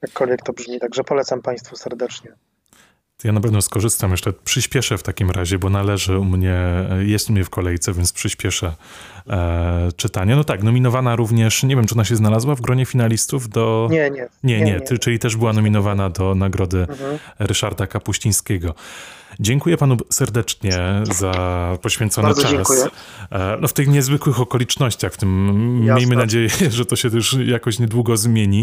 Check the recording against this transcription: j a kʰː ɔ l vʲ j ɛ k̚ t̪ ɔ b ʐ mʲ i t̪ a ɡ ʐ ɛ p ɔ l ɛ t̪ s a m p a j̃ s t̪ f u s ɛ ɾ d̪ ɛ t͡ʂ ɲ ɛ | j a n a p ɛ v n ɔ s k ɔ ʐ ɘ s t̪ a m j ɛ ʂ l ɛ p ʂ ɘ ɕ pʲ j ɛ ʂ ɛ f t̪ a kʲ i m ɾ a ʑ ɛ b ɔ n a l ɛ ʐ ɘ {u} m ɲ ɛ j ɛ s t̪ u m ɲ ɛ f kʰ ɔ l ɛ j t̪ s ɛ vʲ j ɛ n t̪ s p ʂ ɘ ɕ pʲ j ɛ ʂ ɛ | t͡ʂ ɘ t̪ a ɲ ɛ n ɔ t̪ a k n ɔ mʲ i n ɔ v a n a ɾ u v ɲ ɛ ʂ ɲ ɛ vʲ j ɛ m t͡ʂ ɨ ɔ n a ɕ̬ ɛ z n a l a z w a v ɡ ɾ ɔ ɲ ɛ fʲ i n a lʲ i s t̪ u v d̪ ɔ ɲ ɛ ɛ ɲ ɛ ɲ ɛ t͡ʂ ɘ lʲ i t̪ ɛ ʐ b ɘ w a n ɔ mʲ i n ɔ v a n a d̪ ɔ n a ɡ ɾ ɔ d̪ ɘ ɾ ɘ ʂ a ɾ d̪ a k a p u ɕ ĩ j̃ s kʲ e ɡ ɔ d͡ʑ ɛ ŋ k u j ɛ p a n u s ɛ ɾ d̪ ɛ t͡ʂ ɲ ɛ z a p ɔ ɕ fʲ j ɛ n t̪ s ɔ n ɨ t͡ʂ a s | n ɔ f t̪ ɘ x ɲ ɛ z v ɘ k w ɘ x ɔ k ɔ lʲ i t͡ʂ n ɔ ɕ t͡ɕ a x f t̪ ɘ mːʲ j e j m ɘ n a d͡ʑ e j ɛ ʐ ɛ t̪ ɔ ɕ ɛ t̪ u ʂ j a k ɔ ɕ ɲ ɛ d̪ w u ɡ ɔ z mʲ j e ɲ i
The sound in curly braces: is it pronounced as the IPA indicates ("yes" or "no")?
yes